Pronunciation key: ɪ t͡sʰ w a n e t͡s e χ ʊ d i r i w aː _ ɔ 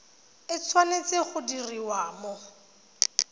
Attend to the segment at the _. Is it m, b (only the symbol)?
m